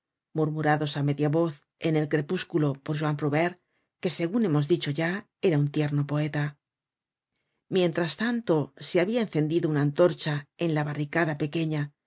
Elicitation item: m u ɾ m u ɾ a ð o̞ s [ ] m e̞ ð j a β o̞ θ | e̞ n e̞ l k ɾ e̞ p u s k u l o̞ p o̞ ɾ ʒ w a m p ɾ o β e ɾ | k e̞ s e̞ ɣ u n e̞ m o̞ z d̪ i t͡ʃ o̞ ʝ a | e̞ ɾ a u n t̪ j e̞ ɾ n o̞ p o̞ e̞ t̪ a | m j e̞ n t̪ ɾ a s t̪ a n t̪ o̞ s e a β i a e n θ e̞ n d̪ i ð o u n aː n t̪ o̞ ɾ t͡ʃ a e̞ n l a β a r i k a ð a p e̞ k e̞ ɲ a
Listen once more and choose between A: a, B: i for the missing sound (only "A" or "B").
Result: A